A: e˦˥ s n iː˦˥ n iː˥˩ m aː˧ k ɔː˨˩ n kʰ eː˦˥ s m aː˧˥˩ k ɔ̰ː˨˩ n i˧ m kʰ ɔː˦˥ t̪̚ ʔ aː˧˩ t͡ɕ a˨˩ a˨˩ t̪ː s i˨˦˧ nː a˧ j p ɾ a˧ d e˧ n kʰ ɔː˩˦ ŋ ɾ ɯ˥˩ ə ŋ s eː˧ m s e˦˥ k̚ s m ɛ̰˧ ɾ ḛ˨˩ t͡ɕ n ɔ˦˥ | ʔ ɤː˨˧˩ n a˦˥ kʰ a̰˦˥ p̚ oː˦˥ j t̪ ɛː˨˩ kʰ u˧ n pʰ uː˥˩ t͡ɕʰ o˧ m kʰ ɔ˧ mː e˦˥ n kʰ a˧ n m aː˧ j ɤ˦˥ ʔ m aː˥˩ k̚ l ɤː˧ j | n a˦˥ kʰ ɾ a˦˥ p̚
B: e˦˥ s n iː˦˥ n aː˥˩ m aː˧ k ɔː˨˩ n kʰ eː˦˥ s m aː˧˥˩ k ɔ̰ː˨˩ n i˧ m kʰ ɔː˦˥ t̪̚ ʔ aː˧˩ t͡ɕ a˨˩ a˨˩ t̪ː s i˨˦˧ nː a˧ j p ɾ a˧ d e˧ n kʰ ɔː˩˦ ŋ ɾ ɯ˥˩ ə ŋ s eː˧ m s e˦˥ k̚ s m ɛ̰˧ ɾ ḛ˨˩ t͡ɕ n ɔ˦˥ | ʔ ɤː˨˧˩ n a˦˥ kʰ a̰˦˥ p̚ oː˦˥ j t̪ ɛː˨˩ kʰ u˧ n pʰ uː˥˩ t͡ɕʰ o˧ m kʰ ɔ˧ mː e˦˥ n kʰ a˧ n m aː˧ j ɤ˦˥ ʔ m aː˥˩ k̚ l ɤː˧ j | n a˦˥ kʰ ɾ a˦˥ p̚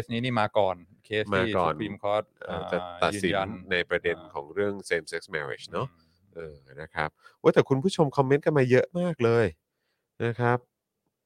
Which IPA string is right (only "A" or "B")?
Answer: A